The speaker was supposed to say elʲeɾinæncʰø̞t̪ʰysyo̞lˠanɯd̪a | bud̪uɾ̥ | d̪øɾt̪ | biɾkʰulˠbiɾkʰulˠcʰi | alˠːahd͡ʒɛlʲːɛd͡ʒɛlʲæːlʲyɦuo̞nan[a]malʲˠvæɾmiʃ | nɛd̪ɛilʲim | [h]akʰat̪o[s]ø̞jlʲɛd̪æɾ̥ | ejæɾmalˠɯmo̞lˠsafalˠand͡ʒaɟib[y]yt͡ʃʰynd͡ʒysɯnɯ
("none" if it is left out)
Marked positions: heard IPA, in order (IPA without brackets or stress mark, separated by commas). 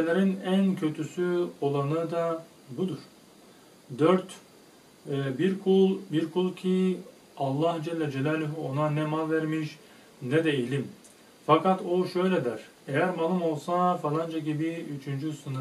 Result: ɛ, f, ʃ, i